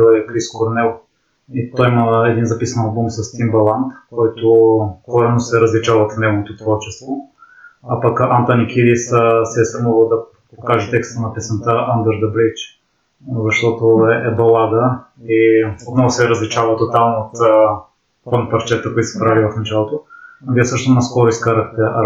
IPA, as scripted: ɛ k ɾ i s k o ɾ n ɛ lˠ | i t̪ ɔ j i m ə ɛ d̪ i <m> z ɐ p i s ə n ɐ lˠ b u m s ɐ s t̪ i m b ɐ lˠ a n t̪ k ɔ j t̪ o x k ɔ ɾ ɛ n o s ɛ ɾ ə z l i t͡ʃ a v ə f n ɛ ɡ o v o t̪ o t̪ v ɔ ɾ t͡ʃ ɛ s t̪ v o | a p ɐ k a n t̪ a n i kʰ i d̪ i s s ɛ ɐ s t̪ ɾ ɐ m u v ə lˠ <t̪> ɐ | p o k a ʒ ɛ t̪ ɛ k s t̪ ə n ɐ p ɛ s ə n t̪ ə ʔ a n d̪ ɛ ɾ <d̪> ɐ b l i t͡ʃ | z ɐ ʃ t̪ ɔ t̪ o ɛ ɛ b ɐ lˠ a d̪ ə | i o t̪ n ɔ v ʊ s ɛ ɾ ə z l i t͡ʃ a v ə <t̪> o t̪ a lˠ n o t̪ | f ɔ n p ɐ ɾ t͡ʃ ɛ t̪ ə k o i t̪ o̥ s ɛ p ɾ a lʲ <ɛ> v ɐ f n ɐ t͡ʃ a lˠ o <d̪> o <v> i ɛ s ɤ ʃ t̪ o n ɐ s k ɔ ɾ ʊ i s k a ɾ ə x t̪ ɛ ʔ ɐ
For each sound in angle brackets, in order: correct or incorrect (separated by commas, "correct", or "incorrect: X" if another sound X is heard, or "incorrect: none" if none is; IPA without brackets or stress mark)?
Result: incorrect: n, incorrect: d̪, correct, correct, incorrect: i, incorrect: t̪, correct